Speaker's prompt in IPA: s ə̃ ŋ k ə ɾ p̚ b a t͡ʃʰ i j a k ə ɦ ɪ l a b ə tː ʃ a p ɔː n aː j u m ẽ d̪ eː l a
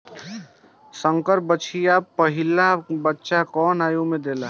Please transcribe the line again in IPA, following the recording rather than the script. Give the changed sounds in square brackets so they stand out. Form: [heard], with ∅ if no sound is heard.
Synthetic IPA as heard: s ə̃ ŋ k ə ɾ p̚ b [ə] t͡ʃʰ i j a [p] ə ɦ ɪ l a b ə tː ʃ a [k] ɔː n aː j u m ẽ d̪ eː l a